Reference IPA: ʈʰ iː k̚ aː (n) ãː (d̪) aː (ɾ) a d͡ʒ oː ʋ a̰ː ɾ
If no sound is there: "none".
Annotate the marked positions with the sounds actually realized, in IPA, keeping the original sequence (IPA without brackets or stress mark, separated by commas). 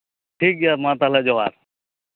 m, t̪, l